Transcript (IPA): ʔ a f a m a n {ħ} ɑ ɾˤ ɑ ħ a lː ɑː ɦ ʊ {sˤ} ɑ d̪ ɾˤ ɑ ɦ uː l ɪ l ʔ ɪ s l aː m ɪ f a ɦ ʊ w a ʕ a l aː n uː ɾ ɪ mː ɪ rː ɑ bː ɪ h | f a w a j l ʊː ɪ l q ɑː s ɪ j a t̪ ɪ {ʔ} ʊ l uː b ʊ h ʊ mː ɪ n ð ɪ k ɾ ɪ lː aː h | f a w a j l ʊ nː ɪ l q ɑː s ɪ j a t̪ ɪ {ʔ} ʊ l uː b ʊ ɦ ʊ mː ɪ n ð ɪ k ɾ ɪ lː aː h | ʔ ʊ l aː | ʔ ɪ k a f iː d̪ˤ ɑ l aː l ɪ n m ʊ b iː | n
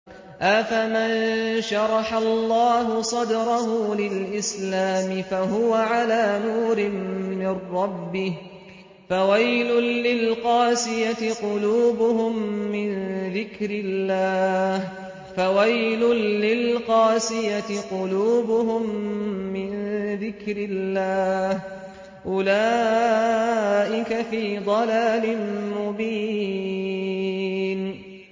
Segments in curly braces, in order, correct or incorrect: incorrect: ʃ, correct, incorrect: q, incorrect: q

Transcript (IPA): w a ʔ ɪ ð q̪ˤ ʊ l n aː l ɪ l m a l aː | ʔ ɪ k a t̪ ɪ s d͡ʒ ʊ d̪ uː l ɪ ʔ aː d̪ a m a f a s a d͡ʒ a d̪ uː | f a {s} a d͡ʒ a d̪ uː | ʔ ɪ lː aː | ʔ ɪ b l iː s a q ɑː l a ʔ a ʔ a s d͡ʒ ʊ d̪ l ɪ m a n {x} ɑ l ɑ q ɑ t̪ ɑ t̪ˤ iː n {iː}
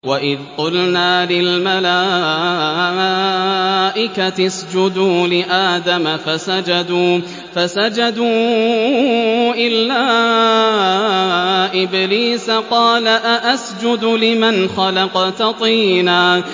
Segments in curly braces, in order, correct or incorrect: correct, correct, incorrect: aː

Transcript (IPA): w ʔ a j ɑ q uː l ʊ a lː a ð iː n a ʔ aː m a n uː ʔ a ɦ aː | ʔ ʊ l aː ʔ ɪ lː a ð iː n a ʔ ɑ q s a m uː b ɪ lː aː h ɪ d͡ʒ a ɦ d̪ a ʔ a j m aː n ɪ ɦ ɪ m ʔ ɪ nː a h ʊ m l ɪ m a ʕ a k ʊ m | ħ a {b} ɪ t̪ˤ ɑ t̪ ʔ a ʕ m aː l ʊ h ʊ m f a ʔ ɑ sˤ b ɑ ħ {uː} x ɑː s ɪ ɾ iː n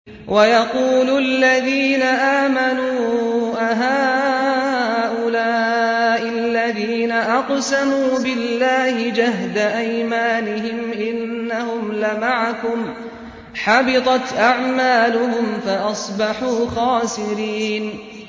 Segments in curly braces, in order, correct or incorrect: correct, correct

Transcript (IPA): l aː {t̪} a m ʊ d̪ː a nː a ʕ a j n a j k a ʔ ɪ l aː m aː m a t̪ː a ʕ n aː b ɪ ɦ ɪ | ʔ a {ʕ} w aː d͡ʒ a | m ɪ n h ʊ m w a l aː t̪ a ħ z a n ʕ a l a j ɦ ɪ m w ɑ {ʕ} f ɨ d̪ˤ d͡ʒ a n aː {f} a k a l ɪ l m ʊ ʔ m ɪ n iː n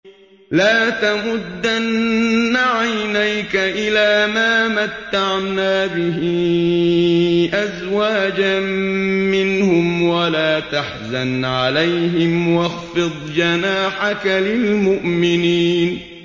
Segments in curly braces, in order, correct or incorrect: correct, incorrect: z, incorrect: ɣ, incorrect: ħ

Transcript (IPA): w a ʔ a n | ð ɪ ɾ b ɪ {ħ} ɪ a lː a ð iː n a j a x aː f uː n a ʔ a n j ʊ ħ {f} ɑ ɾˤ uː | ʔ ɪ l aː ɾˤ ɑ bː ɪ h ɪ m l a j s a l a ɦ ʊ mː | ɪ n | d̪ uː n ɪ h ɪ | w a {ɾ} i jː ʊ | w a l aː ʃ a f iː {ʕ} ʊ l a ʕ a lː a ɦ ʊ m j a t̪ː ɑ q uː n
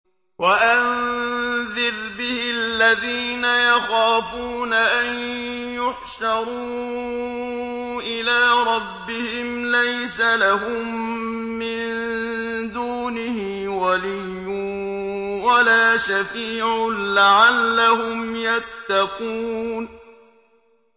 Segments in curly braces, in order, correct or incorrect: incorrect: h, incorrect: ʃ, incorrect: l, correct

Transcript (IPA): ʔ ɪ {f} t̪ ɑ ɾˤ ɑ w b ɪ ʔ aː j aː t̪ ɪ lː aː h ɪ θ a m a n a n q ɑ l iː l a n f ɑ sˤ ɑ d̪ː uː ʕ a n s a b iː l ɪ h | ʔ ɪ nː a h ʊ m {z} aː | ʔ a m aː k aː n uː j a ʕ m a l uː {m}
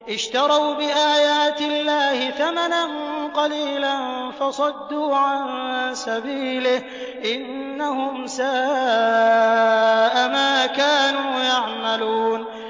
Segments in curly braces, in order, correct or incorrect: incorrect: ʃ, incorrect: s, incorrect: n

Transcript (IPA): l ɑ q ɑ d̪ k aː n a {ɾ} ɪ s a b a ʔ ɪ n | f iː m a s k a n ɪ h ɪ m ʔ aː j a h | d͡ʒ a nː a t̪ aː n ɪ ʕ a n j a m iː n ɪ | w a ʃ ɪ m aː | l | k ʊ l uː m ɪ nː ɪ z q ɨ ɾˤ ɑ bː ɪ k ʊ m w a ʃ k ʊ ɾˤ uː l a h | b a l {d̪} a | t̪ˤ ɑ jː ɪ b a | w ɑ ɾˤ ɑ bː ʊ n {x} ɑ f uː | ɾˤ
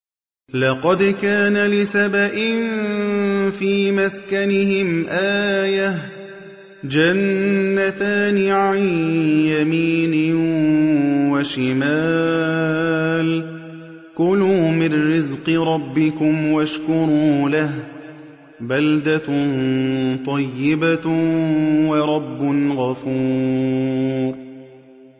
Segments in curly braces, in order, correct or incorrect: incorrect: l, correct, incorrect: ɣ

